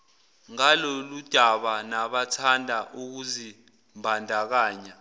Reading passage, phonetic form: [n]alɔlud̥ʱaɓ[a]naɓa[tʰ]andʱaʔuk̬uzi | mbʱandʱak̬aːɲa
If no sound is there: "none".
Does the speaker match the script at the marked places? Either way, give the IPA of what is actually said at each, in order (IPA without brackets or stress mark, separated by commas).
ŋ, a, tʰ